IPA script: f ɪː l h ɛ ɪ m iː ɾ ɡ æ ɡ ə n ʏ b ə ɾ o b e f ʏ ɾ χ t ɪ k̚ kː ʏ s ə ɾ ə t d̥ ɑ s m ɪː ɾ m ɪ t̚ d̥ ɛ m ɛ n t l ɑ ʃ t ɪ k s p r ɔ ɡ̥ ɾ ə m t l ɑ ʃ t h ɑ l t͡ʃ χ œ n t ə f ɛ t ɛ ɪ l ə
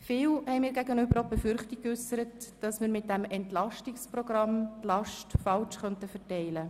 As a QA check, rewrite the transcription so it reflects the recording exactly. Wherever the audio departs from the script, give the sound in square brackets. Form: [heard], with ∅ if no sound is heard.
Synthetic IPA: f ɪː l h ɛ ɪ m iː ɾ ɡ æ ɡ ə n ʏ b ə ɾ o b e f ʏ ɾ χ t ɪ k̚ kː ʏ s ə ɾ ə t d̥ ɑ s m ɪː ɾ m ɪ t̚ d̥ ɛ m ɛ n t l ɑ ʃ t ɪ k s p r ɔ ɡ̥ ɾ [ɑ] m t l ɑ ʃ t [f] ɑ l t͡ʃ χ œ n t ə f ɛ t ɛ ɪ l ə